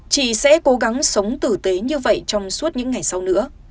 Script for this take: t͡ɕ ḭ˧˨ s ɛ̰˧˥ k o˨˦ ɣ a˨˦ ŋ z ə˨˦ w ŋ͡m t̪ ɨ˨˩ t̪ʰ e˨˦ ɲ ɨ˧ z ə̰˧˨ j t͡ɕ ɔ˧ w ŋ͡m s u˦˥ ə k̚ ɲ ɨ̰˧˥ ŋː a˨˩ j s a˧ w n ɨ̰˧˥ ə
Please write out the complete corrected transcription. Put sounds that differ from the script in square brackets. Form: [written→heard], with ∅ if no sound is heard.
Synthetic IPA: t͡ɕ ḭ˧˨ s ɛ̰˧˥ k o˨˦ ɣ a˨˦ ŋ [z→s] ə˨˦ w ŋ͡m t̪ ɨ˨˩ [t̪ʰ→t̪] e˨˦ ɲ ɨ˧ [z→v] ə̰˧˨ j t͡ɕ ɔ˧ w ŋ͡m s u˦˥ ə [k̚→t̚] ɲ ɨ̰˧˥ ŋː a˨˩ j s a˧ w n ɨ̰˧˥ ə